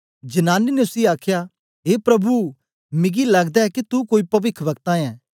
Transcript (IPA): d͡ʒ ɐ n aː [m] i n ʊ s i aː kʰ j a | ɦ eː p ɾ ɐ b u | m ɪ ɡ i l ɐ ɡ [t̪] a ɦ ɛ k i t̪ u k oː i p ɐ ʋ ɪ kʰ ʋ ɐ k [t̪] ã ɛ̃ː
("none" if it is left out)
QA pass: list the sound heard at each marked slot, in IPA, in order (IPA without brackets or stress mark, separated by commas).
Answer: n, d̪, t̪